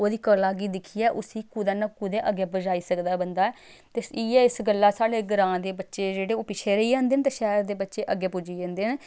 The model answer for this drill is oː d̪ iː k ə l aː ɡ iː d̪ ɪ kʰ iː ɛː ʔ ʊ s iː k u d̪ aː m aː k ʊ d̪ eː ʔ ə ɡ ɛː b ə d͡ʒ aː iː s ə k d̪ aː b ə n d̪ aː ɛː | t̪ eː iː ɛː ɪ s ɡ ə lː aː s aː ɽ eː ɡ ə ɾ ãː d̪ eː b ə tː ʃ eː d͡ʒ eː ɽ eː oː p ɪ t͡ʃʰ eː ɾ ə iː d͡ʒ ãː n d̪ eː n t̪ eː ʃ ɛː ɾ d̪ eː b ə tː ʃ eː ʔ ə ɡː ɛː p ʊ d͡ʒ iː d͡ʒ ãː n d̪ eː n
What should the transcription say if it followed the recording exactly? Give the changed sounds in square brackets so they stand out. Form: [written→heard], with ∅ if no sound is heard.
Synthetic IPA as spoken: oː d̪ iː k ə l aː ɡ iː d̪ ɪ kʰ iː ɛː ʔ ʊ s iː k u d̪ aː [m→n] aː k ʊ d̪ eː ʔ ə ɡ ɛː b ə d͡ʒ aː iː s ə k d̪ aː b ə n d̪ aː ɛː | t̪ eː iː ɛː ɪ s ɡ ə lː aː s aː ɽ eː ɡ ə ɾ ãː d̪ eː b ə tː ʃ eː d͡ʒ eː ɽ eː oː p ɪ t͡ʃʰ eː ɾ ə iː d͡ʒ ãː n d̪ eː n t̪ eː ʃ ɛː ɾ d̪ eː b ə tː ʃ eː ʔ ə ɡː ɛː p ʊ d͡ʒ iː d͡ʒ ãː n d̪ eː n